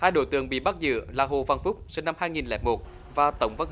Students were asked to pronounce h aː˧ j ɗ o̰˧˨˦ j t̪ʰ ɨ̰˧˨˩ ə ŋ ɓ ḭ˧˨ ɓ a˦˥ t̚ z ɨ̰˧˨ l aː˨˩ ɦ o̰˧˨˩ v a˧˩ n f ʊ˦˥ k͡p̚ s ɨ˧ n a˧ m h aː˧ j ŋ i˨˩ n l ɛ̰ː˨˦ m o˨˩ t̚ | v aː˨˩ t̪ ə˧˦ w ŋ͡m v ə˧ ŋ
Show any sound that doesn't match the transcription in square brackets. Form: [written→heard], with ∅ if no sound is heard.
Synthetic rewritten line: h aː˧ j ɗ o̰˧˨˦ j [t̪ʰ→t̪] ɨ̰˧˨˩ ə ŋ ɓ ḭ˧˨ ɓ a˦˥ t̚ z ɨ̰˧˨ l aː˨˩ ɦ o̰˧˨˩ v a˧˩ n f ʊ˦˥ k͡p̚ s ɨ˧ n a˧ m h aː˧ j ŋ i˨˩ n l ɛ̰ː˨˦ m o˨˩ t̚ | v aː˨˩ t̪ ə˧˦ w ŋ͡m v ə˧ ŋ